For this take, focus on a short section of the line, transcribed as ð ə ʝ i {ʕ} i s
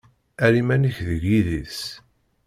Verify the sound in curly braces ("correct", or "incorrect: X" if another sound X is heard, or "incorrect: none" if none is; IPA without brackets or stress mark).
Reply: incorrect: ð